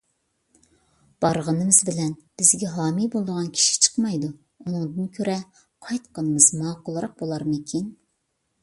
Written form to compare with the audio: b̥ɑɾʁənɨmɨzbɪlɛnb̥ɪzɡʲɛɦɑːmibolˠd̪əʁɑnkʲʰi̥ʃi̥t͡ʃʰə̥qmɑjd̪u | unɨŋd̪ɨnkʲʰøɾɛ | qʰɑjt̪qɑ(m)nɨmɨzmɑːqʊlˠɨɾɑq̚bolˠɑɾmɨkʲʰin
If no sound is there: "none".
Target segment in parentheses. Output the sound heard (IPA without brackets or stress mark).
none